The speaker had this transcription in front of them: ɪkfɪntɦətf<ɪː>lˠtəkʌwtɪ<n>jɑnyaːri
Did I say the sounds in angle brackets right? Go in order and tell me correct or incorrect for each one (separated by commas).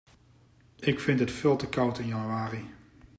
correct, correct